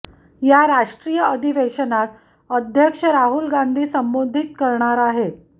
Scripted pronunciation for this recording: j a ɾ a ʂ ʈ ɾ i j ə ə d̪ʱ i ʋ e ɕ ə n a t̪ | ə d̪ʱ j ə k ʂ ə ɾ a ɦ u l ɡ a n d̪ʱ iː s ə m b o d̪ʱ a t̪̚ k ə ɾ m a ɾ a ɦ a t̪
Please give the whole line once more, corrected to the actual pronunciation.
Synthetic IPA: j a ɾ a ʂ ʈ ɾ i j ə ə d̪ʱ i ʋ e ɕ ə n a t̪ | ə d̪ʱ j ə k ʂ ə ɾ a ɦ u l ɡ a n d̪ʱ iː s ə m b o d̪ʱ i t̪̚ k ə ɾ ɳ a ɾ a ɦ e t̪

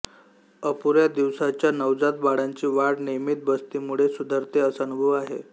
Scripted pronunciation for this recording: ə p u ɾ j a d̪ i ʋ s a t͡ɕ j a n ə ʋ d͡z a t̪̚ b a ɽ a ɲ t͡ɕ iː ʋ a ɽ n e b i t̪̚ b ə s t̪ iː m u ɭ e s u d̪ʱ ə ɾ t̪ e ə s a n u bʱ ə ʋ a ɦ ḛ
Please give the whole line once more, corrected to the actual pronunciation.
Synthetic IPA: ə p u ɾ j a d̪ i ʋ s a t͡ɕ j a n ə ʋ d͡z a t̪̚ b a ɽ a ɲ t͡ɕ iː ʋ a ɽ n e m i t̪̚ b ə s t̪ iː m u ɭ e s u d̪ʱ ə ɾ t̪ e ə s a n u bʱ ə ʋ a ɦ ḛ

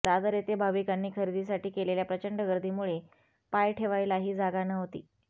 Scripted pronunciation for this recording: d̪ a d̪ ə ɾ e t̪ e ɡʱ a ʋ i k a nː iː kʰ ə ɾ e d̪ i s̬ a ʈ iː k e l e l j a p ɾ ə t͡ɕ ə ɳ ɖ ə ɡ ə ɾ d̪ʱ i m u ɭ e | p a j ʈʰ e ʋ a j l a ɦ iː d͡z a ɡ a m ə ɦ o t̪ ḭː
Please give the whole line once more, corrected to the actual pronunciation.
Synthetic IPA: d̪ a d̪ ə ɾ e t̪ e bʱ a ʋ i k a nː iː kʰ ə ɾ i d̪ i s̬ a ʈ iː k e l e l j a p ɾ ə t͡ɕ ə ɳ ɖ ə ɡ ə ɾ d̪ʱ i m u ɭ e | p a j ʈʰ e ʋ a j l a ɦ iː d͡z a ɡ a n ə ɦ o t̪ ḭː

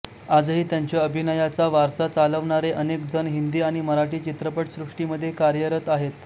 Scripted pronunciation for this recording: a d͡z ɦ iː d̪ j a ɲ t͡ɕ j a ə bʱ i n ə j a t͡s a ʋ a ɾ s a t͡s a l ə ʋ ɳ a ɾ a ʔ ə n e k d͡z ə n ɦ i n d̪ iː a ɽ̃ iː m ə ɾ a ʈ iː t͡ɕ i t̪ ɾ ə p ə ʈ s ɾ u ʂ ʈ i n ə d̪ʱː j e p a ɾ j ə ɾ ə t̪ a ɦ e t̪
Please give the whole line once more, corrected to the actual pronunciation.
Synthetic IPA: a d͡z ɦ iː t̪ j a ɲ t͡ɕ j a ə bʱ i n ə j a t͡s a ʋ a ɾ s a t͡s a l ə ʋ ɳ a ɾ e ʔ ə n e k d͡z ə n ɦ i n d̪ iː a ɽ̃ i m ə ɾ a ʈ iː t͡ɕ i t̪ ɾ ə p ə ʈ s ɾ u ʂ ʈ i m ə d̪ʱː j e k a ɾ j ə ɾ ə t̪ a ɦ e t̪

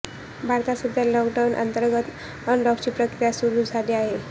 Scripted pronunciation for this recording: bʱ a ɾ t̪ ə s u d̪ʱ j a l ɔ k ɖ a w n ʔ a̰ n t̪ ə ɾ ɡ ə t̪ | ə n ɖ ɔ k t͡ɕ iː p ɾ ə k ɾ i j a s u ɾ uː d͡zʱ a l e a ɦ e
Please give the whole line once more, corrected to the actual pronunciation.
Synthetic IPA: bʱ a ɾ t̪ a s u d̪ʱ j a l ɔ k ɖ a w n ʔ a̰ n t̪ ə ɾ ɡ ə t̪ | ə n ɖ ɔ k t͡ɕ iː p ɾ ə k ɾ i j a s u ɾ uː d͡zʱ a l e a ɦ e

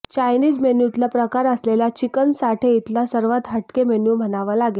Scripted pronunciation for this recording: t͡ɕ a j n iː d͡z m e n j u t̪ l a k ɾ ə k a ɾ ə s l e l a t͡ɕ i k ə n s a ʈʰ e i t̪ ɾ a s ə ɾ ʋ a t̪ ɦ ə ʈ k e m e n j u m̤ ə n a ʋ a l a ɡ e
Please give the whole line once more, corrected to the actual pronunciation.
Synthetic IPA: t͡ɕ a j n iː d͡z m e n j u t̪ l a p ɾ ə k a ɾ ə s l e l a t͡ɕ i k ə n s a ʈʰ e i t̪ l a s ə ɾ ʋ a t̪ ɦ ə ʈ k e m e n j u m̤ ə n a ʋ a l a ɡ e

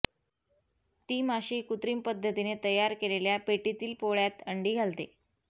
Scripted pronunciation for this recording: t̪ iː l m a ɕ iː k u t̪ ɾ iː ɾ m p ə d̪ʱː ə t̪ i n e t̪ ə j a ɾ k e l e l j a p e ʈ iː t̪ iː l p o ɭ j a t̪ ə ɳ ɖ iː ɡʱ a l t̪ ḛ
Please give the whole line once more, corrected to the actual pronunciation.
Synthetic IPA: t̪ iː m a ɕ iː k u t̪ ɾ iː m p ə d̪ʱː ə t̪ i n e t̪ ə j a ɾ k e l e l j a p e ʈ i t̪ iː l p o ɭ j a t̪ ə ɳ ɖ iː ɡʱ a l t̪ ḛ

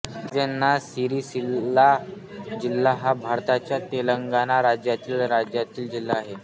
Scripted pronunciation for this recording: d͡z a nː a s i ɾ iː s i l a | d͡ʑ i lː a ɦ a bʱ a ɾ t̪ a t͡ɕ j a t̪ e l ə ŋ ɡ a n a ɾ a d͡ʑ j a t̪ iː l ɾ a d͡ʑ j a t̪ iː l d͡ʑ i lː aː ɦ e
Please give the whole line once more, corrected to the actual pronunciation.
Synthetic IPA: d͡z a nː a s i ɾ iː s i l a | d͡ʑ i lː a ɦ a bʱ a ɾ t̪ a t͡ɕ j a t̪ e l ə ŋ ɡ a n a ɾ a d͡ʑ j a t̪ iː l ɾ a d͡ʑ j a t̪ iː l d͡ʑ i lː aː ɦ e

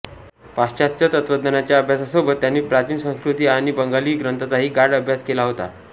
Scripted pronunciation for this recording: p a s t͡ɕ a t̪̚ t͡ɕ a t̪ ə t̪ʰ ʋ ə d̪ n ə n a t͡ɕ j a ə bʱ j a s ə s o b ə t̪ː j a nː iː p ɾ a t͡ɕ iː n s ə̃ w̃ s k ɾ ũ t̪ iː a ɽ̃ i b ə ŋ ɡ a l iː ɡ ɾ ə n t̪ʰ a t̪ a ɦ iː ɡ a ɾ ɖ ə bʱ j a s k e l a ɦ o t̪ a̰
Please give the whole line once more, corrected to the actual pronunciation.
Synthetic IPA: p a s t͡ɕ a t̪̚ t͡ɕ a t̪ ə t̪ ʋ ə d̪ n ə n a t͡ɕ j a ə bʱ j a s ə s o b ə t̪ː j a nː iː p ɾ a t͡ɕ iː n s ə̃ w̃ s k ɾ u t̪ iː a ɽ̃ i b ə ŋ ɡ a l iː ɡ ɾ ə n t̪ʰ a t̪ a ɦ iː ɡ a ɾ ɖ ə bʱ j a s k e l a ɦ o t̪ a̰

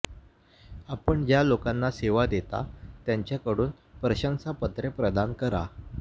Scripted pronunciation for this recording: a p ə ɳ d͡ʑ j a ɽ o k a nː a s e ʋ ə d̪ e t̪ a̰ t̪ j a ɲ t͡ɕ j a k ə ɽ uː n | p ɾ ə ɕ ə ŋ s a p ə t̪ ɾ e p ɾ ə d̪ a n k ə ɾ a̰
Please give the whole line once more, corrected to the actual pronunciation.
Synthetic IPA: a p ə ɳ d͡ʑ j a l o k a nː a s e ʋ a d̪ e t̪ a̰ t̪ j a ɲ t͡ɕ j a k ə ɽ uː n | p ɾ ə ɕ ə ŋ s a p ə t̪ ɾ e p ɾ ə d̪ a n k ə ɾ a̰

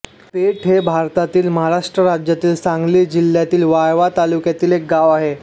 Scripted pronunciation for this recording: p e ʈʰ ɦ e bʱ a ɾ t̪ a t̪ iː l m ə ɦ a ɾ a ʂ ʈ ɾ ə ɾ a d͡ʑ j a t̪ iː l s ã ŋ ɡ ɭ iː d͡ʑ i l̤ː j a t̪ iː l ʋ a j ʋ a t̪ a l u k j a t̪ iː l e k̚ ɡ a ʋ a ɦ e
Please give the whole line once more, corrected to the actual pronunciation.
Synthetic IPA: p e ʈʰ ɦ e bʱ a ɾ t̪ a t̪ iː l m ə ɦ a ɾ a ʂ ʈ ɾ ə ɾ a d͡ʑ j a t̪ iː l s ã ŋ ɡ l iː d͡ʑ i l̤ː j a t̪ iː l ʋ a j ʋ a t̪ a l u k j a t̪ iː l e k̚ ɡ a ʋ a ɦ e

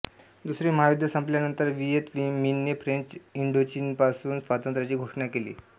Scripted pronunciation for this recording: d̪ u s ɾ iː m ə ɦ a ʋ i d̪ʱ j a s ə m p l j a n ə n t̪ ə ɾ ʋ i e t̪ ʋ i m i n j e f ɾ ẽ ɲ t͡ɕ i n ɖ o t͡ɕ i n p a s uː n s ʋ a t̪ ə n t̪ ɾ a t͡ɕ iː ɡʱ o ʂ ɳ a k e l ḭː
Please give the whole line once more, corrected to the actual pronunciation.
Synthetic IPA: d̪ u s ɾ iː m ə ɦ a ʋ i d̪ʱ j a s ə m p l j a n ə n t̪ ə ɾ ʋ i e t̪ ʋ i m i n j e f ɾ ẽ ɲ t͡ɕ i ɳ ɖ o t͡ɕ i n p a s uː n s ʋ a t̪ ə n t̪ ɾ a t͡ɕ iː ɡʱ o ʂ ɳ a k e l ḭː

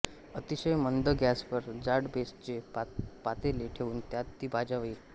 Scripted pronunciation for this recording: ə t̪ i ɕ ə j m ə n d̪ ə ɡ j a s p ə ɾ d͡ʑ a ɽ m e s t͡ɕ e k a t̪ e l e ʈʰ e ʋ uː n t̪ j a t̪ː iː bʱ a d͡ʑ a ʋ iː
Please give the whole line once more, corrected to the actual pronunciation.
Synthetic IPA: ə t̪ i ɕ ə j m ə n d̪ ə ɡ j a s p ə ɾ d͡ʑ a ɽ b e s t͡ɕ e p a t̪ e l e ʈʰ e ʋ uː n t̪ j a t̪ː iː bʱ a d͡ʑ a ʋ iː

